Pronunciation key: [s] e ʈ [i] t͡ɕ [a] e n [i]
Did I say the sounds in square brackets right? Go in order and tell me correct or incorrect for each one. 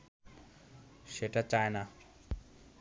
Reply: incorrect, incorrect, correct, incorrect

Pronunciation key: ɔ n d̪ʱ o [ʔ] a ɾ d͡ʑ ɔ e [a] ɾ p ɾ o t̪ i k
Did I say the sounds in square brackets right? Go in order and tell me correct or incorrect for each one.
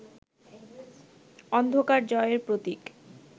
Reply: incorrect, incorrect

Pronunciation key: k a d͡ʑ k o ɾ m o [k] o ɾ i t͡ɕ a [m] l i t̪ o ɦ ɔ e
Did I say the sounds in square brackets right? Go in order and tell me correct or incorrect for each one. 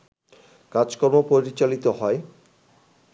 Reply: incorrect, incorrect

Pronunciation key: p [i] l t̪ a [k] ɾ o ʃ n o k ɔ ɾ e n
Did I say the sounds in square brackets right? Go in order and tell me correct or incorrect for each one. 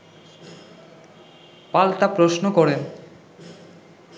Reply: incorrect, incorrect

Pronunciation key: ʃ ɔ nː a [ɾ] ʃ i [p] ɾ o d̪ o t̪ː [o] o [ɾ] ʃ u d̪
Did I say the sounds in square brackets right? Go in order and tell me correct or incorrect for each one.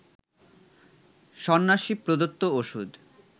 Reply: incorrect, correct, correct, incorrect

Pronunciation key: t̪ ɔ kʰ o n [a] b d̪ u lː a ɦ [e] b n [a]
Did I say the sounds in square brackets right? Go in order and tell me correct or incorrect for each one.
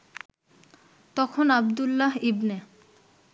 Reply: correct, incorrect, incorrect

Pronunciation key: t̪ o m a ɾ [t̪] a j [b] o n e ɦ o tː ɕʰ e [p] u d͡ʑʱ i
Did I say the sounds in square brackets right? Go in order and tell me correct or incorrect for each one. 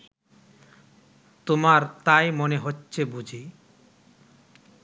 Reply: correct, incorrect, incorrect

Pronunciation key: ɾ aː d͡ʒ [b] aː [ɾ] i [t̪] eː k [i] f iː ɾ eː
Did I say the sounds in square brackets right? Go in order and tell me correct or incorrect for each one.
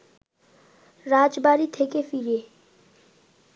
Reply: correct, correct, incorrect, incorrect

